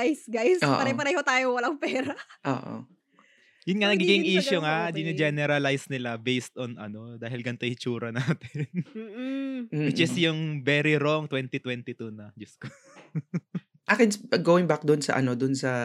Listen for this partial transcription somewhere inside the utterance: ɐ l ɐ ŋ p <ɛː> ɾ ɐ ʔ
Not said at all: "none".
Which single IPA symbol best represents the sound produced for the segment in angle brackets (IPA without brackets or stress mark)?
ɛː